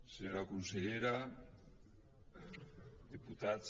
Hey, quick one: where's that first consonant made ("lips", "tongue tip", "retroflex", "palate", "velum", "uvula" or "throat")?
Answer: tongue tip